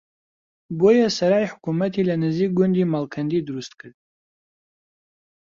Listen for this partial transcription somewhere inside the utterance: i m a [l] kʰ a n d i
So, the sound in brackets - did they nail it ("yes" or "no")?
yes